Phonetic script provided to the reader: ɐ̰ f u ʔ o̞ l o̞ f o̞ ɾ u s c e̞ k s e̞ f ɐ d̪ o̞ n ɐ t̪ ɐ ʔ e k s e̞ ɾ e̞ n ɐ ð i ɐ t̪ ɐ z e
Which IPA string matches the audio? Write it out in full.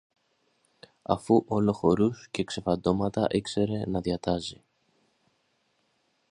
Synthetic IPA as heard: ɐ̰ f u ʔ o̞ l o̞ x o̞ ɾ u s c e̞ k s e̞ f ɐ d̪ o̞ m ɐ t̪ ɐ ʔ e k s e̞ ɾ e̞ n ɐ ð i ɐ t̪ ɐ z i